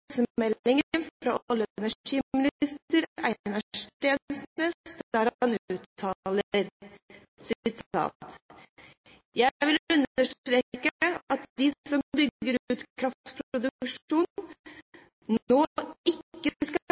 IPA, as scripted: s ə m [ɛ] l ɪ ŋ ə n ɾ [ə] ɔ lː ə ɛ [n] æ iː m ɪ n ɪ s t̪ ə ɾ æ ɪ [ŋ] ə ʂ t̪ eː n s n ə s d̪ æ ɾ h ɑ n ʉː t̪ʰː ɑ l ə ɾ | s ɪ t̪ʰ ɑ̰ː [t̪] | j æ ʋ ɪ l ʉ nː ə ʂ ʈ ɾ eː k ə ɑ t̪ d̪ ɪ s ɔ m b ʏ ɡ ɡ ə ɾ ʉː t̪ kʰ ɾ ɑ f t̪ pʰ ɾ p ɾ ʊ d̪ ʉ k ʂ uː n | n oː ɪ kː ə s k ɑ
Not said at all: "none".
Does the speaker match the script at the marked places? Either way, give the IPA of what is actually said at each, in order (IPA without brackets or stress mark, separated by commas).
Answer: ɛ, ɑ, n, n, t̪